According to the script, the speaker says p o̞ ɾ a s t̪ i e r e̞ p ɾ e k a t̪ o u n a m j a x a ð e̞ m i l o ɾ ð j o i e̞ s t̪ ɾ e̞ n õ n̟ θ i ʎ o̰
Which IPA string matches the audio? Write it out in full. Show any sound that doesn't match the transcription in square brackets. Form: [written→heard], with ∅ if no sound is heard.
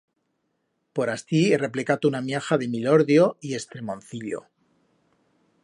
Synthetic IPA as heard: p o̞ ɾ a s t̪ i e r e̞ p [ɾ→l] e k a t̪ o u n a m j a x a ð e̞ m i l o ɾ ð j o i e̞ s t̪ ɾ e̞ [n→m] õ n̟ θ i ʎ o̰